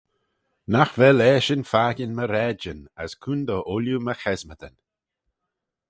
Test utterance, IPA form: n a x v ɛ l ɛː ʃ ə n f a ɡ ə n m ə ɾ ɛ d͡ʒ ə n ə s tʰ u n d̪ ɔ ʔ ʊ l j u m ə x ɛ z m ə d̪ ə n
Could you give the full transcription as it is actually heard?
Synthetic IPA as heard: n a x v ɛ l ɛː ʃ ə n f a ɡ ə n m ə ɾ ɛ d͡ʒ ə n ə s kʰ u n d̪ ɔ ʔ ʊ l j u m ə x ɛ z m ə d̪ ə n